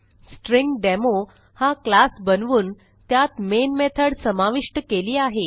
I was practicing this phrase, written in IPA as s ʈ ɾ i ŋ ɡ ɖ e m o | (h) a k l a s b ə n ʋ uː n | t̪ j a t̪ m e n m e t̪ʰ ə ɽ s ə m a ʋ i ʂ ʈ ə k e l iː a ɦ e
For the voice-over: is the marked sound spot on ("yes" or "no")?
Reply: yes